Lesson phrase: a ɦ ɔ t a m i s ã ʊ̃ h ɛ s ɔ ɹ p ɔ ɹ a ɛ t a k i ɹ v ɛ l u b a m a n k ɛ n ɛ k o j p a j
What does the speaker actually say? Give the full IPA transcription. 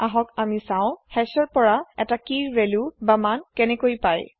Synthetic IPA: a ɦ ɔ k a m i s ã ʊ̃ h ɛ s ɔ ɹ p ɔ ɹ a ɛ t a k i ɹ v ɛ l u b a m a n k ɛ n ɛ k o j p a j